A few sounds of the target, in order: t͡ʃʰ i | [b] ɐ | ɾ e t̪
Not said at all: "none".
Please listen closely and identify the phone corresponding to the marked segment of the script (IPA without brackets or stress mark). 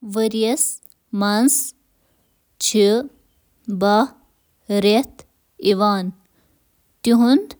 b